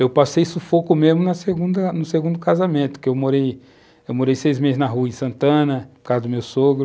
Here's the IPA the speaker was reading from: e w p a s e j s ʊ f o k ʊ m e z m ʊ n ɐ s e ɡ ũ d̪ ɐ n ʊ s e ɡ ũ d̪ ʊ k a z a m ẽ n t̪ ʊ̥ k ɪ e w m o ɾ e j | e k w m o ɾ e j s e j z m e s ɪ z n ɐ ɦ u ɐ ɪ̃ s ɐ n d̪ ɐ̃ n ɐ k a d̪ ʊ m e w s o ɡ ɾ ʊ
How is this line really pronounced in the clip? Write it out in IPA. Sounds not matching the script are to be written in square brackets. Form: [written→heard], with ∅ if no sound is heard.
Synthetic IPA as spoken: e w p a s e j s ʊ f o k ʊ m e z m ʊ n ɐ s e ɡ ũ d̪ ɐ n ʊ s e ɡ ũ d̪ ʊ k a z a m ẽ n t̪ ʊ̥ k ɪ e w m o ɾ e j | e [k→∅] w m o ɾ e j s e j z m e [s→z] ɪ z n ɐ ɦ u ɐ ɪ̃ s [ɐ→ɐ̃] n [d̪→t̪] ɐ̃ n ɐ k a d̪ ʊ m e w s o ɡ ɾ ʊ